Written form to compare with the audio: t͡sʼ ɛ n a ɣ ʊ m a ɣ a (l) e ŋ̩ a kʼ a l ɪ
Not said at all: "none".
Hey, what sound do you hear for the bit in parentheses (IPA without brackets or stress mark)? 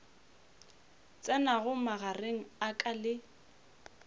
r